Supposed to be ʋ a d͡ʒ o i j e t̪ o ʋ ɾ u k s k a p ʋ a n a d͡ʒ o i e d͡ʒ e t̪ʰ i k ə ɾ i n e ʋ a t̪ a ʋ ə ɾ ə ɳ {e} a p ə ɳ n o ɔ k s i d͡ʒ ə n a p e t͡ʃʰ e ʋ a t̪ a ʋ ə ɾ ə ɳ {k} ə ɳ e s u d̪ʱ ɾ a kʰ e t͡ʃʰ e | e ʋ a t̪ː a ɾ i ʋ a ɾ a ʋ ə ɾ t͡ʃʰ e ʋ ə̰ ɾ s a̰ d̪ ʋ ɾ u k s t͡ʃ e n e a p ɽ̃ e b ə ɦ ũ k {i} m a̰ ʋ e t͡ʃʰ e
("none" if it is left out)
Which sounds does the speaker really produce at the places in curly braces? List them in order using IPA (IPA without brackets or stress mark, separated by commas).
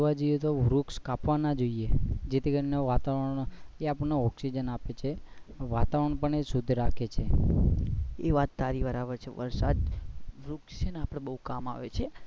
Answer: e, p, a